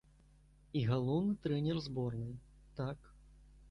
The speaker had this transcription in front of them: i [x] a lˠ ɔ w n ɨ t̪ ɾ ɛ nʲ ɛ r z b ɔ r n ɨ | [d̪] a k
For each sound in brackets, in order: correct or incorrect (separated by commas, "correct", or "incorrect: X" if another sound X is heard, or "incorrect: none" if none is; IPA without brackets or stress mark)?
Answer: incorrect: ɣ, incorrect: t̪